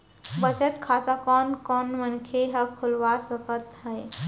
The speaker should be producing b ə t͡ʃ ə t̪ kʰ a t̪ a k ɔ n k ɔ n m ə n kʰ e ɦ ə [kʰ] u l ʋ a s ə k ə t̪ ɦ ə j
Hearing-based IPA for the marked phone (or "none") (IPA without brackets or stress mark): kʰ